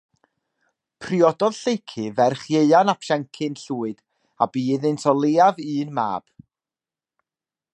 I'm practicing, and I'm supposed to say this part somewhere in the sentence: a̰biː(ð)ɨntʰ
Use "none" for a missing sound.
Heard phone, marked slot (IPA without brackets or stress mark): ð